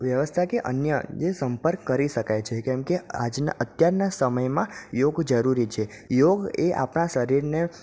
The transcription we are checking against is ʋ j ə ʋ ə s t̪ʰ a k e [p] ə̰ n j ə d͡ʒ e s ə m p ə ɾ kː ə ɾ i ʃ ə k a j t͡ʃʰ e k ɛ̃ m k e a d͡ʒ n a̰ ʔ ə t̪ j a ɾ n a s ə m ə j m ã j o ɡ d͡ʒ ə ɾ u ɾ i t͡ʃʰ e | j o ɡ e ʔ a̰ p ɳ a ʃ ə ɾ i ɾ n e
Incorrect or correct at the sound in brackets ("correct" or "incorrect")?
incorrect